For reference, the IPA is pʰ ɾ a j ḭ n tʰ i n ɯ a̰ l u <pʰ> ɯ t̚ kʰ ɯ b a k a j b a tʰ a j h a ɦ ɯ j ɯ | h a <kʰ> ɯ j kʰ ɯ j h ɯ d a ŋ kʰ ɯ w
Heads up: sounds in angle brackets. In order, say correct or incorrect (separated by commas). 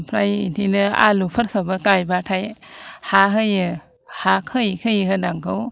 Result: correct, correct